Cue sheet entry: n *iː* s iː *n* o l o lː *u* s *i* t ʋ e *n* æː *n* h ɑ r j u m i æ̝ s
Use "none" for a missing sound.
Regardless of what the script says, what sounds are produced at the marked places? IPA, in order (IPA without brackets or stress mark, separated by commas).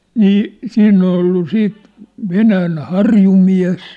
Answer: iː, nː, u, iː, n, n